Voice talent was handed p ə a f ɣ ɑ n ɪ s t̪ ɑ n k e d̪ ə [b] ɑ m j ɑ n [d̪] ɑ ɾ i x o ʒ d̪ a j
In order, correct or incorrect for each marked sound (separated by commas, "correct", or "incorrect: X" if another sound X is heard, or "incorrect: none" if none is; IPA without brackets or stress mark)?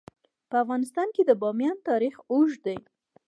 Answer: correct, incorrect: t̪